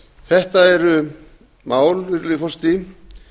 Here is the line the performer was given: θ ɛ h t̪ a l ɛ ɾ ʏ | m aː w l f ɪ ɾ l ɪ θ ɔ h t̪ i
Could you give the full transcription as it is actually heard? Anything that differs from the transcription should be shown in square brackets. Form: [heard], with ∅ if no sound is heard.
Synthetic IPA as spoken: θ ɛ h t̪ a [∅] ɛ ɾ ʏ | m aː w l [v] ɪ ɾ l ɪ [f] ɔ [s] t̪ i